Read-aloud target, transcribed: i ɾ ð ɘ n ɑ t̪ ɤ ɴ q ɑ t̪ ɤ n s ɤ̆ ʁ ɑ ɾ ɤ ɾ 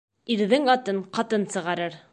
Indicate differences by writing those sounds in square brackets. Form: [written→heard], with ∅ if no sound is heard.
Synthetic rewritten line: i ɾ ð ɘ [n→ŋ] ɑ t̪ ɤ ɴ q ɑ t̪ ɤ n s ɤ̆ ʁ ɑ ɾ ɤ ɾ